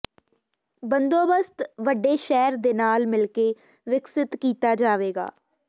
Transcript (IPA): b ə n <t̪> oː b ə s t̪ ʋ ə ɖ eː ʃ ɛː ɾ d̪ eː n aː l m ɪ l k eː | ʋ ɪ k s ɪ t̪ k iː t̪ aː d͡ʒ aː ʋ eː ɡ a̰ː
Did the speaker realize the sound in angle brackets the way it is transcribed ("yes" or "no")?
no